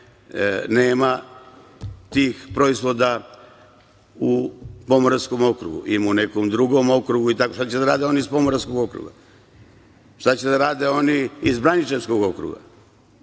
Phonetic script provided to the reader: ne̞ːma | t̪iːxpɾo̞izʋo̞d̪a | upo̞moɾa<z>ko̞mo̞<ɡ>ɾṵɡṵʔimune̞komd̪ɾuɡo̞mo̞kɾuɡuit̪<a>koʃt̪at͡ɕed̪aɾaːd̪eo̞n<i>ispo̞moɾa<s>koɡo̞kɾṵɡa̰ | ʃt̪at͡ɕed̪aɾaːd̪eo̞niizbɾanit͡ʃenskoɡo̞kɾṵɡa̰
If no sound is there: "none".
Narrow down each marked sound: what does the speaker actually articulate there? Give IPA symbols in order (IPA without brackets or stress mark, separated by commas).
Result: s, k, a, i, s